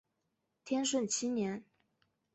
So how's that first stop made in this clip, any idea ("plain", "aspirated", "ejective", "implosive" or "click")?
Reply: aspirated